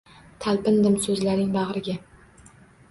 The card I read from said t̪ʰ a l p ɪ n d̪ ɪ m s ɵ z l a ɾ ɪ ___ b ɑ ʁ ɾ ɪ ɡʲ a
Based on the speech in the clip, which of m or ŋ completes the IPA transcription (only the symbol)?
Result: ŋ